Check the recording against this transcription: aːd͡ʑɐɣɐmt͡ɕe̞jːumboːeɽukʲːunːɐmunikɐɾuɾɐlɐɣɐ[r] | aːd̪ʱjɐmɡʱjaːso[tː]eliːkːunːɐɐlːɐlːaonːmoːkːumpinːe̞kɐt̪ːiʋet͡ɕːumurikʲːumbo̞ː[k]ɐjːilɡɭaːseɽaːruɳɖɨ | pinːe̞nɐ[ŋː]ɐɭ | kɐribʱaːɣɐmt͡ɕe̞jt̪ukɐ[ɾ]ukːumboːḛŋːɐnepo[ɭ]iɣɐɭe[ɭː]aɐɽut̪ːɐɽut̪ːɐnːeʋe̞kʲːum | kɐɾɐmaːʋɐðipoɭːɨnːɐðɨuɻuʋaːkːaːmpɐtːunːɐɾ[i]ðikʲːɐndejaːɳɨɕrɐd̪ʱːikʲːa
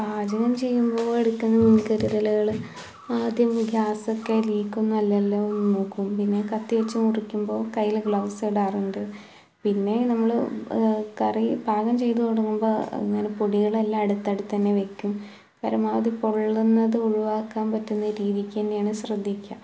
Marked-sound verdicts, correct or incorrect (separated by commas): incorrect, incorrect, correct, incorrect, incorrect, incorrect, incorrect, incorrect